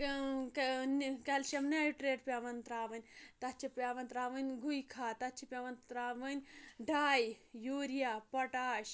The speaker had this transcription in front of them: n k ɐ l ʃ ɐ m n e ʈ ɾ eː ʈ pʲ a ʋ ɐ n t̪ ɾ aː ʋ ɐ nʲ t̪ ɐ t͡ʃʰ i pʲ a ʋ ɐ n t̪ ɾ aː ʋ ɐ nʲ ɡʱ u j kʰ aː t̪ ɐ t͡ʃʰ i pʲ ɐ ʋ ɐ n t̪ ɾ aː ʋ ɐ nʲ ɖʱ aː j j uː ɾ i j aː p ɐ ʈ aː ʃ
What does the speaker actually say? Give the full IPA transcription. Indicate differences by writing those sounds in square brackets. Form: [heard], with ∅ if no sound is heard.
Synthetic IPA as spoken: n k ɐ l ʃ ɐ m n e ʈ ɾ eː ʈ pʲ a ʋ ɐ n t̪ ɾ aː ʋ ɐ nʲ t̪ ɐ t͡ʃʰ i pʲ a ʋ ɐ n t̪ ɾ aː ʋ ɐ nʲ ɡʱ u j kʰ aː t̪ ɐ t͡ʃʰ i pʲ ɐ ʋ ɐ n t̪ ɾ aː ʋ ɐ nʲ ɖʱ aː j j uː ɾ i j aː p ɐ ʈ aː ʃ